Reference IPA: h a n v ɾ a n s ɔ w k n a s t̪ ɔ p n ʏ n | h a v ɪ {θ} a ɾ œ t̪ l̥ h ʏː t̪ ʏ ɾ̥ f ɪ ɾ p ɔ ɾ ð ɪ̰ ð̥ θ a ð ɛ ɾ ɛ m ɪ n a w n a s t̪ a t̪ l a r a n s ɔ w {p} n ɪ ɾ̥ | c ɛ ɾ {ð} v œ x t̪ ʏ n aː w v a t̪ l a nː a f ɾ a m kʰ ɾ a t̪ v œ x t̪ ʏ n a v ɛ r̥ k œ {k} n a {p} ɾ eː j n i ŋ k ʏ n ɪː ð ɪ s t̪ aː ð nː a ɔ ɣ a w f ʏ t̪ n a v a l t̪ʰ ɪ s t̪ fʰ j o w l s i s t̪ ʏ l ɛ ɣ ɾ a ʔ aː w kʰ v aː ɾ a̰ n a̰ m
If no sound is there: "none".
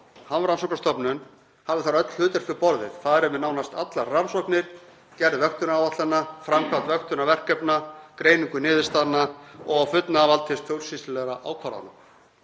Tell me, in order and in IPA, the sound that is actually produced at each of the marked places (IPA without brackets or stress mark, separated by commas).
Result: θ, k, ð, p, k